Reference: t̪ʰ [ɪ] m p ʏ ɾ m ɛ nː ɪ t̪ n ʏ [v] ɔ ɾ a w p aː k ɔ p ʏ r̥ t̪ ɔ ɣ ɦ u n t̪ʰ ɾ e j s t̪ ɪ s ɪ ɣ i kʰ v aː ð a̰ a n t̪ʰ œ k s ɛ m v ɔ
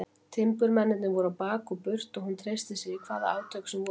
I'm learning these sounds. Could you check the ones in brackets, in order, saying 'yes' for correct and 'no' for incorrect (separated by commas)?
yes, yes